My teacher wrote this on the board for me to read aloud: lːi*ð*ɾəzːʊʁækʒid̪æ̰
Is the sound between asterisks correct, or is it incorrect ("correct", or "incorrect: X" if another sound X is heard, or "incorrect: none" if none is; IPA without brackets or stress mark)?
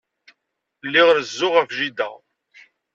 incorrect: ʁ